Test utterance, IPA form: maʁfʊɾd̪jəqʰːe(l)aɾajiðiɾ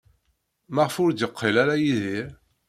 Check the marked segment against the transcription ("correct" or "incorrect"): correct